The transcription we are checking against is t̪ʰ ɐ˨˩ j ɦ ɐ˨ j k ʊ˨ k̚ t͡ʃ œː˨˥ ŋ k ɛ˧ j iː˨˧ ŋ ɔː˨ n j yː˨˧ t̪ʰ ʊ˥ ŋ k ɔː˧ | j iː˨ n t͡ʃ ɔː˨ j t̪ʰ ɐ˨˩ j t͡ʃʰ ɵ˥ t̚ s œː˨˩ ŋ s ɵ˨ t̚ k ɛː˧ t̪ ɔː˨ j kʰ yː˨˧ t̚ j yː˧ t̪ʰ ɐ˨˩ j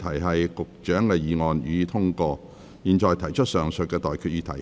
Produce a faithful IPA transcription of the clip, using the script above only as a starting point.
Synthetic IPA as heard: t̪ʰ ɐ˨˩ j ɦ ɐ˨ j k ʊ˨ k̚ t͡ʃ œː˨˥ ŋ k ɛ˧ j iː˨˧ ŋ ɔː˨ n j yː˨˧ t̪ʰ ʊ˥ ŋ k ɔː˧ | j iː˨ n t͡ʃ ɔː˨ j t̪ʰ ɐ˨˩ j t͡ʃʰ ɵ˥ t̚ s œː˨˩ ŋ s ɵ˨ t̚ k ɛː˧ t̪ ɔː˨ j kʰ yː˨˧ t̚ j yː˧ t̪ʰ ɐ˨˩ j